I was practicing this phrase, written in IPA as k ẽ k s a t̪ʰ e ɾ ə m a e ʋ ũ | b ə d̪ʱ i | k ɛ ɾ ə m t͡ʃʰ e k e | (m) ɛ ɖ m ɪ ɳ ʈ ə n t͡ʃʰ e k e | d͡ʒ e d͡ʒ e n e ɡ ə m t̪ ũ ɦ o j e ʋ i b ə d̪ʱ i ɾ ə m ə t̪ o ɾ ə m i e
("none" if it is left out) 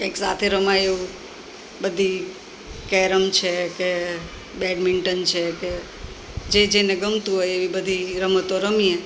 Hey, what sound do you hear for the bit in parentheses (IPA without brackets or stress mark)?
b